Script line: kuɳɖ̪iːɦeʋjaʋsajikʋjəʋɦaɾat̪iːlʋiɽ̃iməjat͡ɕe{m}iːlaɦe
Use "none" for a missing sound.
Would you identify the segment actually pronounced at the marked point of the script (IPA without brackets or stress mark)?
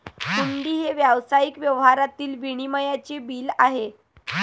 b